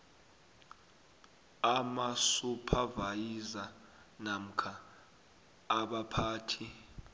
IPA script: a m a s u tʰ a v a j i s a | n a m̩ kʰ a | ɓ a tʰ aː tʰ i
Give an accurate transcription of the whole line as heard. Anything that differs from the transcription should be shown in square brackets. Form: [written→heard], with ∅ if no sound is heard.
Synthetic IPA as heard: a m a s u [tʰ→pʰ] a v a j i [s→z] a | n a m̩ kʰ a | ɓ a [tʰ→pʰ] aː tʰ i